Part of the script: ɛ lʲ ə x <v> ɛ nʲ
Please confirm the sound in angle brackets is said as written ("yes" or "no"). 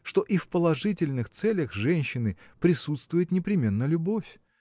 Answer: no